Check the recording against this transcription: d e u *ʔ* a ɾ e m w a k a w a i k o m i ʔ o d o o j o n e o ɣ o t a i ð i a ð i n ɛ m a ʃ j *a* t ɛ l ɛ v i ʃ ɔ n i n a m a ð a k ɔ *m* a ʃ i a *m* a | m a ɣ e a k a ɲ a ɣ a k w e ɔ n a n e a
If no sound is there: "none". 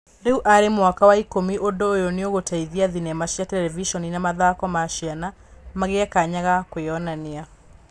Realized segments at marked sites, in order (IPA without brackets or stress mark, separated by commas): ʔ, a, m, n